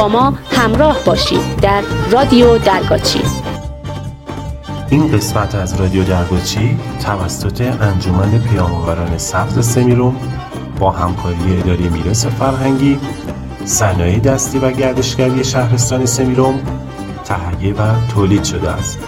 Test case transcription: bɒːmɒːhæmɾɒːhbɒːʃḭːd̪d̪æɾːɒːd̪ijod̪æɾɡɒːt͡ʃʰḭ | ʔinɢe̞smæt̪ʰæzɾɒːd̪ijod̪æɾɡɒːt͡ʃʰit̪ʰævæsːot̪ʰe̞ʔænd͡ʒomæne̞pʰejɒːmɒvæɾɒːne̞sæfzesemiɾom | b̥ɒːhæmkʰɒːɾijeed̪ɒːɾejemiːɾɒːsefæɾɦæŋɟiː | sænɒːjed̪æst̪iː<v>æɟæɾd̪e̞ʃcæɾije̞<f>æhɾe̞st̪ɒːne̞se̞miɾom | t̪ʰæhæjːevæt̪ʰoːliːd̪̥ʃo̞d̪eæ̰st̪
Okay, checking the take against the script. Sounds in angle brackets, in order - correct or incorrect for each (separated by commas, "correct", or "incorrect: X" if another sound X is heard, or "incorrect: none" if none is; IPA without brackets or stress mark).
correct, incorrect: ʃ